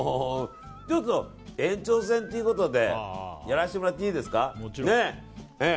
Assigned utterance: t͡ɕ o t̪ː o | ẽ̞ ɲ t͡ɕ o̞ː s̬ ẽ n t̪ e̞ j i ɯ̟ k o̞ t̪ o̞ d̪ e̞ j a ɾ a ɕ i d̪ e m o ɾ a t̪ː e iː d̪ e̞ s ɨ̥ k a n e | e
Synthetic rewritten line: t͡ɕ o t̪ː o | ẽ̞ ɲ t͡ɕ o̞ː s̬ ẽ n t̪ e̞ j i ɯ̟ k o̞ t̪ o̞ d̪ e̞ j a ɾ a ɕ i t̪ e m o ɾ a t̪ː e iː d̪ e̞ s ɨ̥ k a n e | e